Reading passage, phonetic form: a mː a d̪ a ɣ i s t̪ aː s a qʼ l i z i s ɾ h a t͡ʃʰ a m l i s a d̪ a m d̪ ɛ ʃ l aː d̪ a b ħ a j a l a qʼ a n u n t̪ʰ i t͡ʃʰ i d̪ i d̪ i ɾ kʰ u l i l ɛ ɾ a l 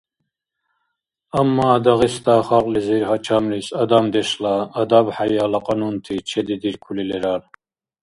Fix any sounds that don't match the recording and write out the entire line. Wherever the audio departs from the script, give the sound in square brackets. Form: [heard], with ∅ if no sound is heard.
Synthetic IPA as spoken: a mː a d̪ a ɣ i s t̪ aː [χ] a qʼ l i z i [∅] ɾ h a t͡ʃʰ a m l i s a d̪ a m d̪ ɛ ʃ l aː d̪ a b ħ a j a l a qʼ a n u n t̪ʰ i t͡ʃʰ [ɛ] d̪ i d̪ i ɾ kʰ u l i l ɛ ɾ a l